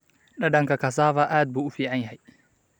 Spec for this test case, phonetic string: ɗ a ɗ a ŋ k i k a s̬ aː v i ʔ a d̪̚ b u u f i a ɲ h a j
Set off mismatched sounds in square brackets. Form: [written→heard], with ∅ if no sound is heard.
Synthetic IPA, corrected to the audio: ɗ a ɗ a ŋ k [i→a] k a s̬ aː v [i→a] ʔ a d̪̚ b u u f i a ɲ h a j